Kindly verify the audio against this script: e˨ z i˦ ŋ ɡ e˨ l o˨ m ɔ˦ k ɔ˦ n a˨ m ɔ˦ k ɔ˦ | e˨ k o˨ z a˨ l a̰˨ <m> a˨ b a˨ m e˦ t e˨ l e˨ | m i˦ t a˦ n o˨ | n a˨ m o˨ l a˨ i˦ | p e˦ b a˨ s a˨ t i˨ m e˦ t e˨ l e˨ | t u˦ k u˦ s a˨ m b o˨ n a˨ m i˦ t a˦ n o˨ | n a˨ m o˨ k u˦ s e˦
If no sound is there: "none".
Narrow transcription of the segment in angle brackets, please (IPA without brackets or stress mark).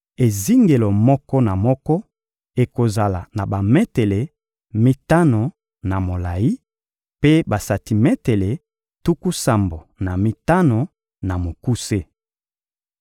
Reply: n